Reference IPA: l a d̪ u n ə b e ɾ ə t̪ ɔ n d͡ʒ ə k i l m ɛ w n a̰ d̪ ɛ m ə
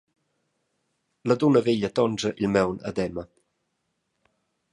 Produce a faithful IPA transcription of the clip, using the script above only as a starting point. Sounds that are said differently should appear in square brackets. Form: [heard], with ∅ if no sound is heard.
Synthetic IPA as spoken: l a d̪ u n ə [v] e [ʎ] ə t̪ ɔ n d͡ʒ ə [ʔ] i l m ɛ w n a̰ d̪ ɛ m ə